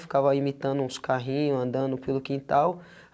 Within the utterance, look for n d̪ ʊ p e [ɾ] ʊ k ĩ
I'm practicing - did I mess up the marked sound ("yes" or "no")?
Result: yes